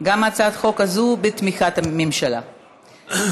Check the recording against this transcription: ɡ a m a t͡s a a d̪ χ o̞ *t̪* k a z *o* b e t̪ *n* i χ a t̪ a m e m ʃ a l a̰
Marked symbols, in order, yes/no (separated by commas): no, no, no